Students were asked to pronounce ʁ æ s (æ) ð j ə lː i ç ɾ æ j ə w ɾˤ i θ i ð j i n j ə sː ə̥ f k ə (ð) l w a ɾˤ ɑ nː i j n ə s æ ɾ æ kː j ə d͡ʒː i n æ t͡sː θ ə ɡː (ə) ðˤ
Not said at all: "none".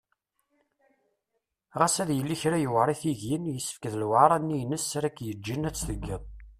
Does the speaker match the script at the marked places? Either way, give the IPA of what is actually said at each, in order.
æ, ð, ə

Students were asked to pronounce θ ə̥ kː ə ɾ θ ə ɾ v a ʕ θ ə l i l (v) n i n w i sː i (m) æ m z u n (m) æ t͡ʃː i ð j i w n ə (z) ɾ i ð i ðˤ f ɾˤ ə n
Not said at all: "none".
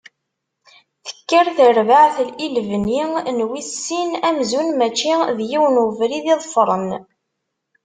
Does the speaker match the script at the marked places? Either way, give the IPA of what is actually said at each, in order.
v, n, m, v

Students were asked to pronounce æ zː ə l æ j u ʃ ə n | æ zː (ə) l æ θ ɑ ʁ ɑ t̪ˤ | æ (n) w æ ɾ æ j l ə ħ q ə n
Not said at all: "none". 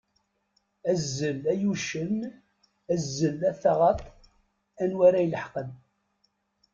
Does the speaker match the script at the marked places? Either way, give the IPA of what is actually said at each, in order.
ə, n

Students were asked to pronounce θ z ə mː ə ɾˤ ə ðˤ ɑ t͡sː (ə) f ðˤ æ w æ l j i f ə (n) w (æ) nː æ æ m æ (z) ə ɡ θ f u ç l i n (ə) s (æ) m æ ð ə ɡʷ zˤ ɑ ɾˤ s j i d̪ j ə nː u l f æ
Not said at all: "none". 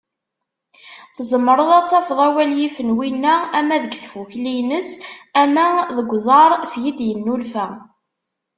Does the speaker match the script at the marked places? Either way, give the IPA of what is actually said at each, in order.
ɑ, n, i, ð, ə, æ

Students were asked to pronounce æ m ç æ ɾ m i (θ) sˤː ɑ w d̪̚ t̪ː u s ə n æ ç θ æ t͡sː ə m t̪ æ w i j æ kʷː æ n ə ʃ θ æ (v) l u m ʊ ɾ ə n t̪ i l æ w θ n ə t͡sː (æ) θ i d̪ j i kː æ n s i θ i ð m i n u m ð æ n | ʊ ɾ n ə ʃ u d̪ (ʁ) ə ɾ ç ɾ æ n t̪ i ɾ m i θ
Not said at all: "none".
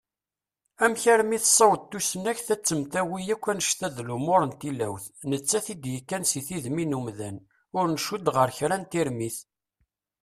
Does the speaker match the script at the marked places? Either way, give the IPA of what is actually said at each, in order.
θ, ð, æ, ʁ

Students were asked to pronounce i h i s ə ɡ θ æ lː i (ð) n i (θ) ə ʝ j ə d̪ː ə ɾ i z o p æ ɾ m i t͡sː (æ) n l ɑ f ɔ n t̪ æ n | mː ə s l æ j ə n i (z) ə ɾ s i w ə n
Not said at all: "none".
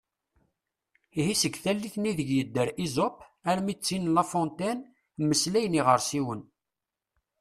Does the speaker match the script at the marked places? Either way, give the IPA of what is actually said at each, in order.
θ, ð, i, ʁ

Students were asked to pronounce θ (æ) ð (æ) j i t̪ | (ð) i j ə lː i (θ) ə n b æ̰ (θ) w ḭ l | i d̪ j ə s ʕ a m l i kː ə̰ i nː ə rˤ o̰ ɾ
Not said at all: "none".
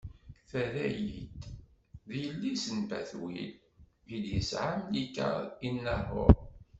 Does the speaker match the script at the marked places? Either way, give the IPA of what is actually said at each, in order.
æ, æ, ð, s, θ

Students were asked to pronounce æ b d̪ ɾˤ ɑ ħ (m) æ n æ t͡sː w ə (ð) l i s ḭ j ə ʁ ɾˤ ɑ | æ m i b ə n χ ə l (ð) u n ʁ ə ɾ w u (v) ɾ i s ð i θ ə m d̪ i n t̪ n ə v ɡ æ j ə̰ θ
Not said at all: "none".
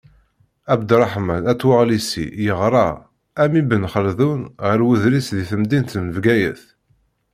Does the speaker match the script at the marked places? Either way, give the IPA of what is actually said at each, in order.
m, ʁ, ð, ð

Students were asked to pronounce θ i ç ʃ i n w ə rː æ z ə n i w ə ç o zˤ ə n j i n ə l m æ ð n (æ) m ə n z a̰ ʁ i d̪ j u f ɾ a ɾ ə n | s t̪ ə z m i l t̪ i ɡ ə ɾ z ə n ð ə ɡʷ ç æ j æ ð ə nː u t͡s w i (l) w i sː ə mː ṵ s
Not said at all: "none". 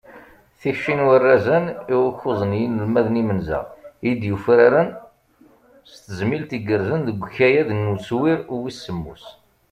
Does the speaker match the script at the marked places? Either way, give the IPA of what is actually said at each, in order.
i, ɾ

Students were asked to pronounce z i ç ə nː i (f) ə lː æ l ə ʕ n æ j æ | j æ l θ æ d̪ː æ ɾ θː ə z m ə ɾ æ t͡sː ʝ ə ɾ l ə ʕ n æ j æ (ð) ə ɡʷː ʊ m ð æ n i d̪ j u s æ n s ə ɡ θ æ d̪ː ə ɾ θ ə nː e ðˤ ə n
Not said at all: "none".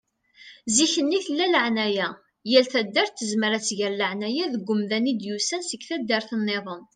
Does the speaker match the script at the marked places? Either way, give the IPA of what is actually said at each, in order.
θ, ð

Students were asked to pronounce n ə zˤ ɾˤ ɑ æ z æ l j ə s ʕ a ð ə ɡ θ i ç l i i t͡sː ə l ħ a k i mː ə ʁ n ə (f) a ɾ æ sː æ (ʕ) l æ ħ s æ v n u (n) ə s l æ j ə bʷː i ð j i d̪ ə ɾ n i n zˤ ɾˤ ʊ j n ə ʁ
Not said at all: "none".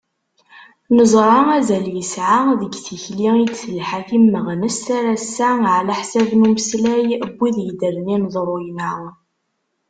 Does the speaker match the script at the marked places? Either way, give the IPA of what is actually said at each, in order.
s, ʕ, m

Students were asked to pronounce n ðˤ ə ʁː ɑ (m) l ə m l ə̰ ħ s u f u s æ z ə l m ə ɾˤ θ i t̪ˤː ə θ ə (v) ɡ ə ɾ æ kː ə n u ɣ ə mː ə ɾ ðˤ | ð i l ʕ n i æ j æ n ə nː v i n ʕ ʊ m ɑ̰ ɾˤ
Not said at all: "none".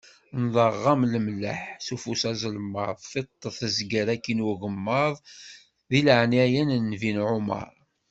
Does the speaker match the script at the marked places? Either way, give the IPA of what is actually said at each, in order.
m, z

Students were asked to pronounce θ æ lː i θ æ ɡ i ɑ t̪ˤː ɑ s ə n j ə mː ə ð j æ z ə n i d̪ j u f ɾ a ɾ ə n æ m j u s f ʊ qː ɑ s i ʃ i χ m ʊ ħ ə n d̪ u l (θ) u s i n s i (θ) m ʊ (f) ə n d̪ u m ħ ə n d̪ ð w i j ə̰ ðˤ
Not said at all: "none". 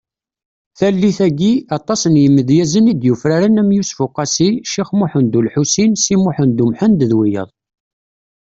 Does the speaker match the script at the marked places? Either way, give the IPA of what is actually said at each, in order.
ħ, none, ħ

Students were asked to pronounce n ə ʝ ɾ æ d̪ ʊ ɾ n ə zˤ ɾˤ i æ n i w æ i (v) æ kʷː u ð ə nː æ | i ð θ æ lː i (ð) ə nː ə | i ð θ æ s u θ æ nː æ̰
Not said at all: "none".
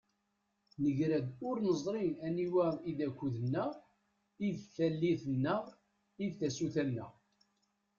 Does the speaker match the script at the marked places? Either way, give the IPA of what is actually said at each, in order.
ð, θ

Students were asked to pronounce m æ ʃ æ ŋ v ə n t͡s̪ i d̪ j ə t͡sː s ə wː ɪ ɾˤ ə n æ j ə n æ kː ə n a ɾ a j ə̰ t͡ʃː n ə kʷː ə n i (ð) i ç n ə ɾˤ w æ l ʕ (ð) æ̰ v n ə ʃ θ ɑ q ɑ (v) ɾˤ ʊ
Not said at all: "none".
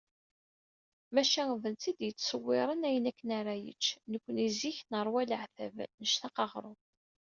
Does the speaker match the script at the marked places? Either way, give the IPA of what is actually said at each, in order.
z, θ, ʁ

